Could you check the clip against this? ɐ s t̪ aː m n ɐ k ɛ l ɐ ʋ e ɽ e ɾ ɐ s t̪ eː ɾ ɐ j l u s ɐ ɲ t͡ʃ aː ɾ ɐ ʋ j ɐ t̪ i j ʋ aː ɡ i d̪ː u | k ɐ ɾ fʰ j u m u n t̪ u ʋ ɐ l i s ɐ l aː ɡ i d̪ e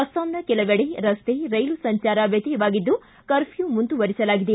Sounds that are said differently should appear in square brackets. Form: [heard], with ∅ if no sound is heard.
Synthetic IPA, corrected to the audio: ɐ s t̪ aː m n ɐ k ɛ l ɐ ʋ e ɽ e ɾ ɐ s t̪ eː ɾ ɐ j l u s ɐ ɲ t͡ʃ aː ɾ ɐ ʋ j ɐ t̪ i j ʋ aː ɡ i d̪ː u | k ɐ ɾ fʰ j u m u n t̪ u ʋ ɐ [ɾ] i s ɐ l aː ɡ i d̪ e